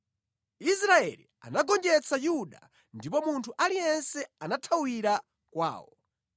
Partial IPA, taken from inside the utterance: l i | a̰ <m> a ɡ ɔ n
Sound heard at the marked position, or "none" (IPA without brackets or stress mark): n